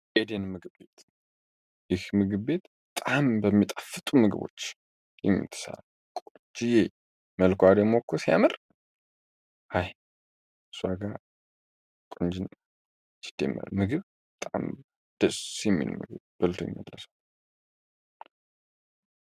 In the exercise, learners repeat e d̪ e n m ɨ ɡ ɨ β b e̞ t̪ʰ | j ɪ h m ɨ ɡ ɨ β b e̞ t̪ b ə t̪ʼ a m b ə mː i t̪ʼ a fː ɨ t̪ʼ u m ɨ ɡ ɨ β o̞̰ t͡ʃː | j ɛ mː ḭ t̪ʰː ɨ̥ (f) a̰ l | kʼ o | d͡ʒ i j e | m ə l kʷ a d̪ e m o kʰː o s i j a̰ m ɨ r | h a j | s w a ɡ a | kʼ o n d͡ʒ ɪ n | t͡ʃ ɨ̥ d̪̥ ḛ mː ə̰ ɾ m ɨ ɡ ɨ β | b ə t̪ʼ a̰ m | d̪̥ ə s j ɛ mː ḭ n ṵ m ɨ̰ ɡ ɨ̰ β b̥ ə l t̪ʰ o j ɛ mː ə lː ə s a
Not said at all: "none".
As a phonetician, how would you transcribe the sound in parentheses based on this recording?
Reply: s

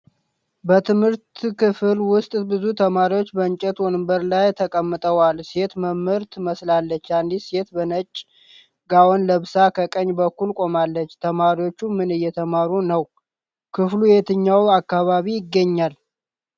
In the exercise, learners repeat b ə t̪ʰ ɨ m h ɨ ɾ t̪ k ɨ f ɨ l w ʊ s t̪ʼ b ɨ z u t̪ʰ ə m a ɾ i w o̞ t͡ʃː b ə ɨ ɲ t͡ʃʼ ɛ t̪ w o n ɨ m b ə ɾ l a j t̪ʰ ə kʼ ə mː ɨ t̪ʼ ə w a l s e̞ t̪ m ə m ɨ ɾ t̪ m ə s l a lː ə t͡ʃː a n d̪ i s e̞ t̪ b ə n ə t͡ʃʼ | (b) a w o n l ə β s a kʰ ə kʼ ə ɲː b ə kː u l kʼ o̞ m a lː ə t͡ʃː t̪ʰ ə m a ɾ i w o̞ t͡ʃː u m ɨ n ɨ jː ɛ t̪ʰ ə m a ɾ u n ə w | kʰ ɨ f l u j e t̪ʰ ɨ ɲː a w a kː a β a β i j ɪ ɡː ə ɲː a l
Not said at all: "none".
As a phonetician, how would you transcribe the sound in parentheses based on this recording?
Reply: ɡ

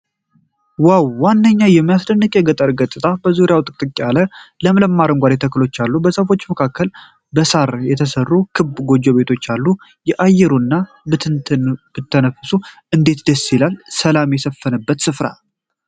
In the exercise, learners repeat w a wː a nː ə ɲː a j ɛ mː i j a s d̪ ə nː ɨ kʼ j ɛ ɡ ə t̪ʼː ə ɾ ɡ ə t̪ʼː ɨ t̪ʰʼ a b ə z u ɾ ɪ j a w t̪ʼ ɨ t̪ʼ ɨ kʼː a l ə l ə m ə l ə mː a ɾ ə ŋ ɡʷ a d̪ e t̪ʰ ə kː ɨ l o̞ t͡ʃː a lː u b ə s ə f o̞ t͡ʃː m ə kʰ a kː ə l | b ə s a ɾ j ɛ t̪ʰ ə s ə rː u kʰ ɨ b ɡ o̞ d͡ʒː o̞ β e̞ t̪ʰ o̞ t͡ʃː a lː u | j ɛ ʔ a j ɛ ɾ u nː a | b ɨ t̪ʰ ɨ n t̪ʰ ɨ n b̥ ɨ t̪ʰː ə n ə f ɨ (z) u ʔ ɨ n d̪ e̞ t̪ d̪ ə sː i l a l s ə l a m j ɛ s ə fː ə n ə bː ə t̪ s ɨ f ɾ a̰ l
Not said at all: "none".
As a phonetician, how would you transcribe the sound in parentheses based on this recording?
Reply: s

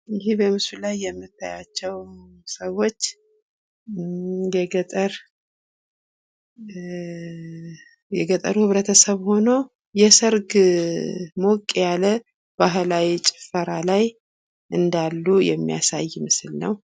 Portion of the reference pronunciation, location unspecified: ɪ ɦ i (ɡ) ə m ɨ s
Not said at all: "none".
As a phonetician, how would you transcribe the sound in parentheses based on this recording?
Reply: b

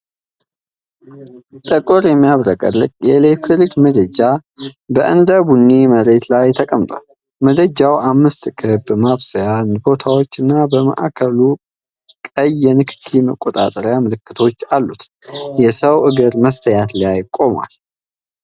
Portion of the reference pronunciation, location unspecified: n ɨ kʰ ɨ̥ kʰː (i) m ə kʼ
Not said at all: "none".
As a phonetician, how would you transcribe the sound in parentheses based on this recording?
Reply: i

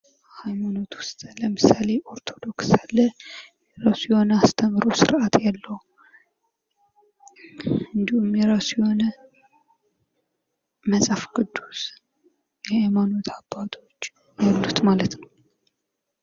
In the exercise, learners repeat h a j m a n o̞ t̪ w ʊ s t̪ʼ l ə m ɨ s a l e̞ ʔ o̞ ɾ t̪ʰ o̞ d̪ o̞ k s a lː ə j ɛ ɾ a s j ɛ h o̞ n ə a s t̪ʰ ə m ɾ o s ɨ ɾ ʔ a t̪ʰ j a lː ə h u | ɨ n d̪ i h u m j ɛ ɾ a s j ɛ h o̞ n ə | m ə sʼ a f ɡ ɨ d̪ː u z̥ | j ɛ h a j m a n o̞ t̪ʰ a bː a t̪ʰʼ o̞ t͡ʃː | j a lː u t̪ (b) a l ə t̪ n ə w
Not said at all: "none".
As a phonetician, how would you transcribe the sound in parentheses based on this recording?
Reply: m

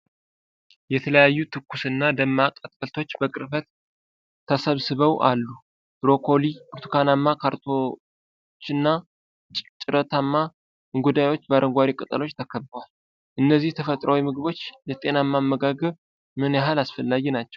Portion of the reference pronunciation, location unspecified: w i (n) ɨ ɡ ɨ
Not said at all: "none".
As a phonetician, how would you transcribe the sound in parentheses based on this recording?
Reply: m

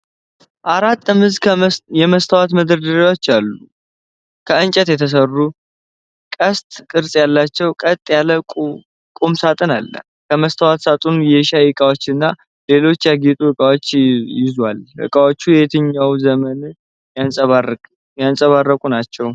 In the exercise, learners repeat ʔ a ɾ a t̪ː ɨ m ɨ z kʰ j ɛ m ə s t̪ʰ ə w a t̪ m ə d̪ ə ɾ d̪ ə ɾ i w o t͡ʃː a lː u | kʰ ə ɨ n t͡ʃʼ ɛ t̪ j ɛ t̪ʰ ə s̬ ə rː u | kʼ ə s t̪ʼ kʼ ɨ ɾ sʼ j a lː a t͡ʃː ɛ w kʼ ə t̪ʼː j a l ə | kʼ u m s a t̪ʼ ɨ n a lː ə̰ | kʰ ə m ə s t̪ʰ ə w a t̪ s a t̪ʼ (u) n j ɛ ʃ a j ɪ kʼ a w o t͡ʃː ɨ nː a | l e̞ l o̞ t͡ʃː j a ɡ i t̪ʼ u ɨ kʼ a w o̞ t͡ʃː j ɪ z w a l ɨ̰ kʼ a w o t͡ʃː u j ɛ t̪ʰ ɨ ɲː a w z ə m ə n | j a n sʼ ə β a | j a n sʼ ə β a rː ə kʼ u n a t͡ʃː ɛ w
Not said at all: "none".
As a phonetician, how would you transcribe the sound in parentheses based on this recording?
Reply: u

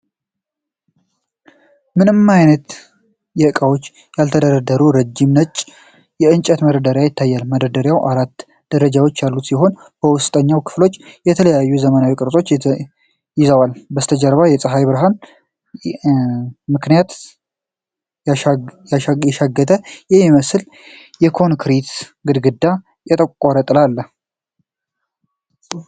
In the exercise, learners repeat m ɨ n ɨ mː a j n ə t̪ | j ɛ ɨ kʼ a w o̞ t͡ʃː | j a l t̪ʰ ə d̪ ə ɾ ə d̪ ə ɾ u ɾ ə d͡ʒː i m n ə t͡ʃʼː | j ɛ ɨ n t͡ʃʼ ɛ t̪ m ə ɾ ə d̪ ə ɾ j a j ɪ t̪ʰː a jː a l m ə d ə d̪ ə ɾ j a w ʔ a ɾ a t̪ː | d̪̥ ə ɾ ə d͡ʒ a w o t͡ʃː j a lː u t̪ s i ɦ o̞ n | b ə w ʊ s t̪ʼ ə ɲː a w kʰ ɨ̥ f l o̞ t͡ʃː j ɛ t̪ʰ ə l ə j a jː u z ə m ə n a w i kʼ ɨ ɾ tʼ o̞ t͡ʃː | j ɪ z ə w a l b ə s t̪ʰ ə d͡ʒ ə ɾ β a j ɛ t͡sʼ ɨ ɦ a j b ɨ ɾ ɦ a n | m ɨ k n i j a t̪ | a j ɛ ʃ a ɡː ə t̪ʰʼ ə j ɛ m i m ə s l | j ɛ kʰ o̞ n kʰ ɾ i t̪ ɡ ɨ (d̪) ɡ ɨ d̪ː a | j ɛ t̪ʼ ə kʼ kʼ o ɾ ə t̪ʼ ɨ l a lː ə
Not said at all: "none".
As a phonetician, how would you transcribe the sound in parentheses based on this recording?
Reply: d̪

